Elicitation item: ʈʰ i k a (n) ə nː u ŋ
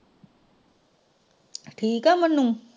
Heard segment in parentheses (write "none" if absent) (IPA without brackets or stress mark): m